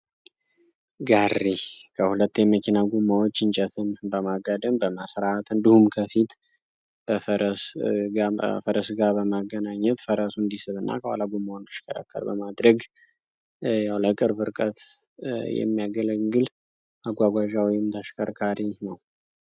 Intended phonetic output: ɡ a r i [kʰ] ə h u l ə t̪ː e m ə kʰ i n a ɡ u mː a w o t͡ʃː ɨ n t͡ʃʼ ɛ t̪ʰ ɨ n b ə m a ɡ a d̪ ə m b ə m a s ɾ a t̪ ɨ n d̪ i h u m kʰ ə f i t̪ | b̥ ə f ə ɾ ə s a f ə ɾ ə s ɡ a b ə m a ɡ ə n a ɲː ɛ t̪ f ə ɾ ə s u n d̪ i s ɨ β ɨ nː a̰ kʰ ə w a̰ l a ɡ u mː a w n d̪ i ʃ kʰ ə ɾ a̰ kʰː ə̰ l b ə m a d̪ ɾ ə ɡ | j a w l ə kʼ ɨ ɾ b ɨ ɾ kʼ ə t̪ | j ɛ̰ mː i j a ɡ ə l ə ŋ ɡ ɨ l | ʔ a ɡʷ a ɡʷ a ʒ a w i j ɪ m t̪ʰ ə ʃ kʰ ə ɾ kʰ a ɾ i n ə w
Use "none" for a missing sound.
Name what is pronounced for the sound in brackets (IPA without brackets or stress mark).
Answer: kʰ